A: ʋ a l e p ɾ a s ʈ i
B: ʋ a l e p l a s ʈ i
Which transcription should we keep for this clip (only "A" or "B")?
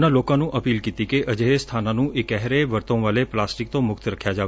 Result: B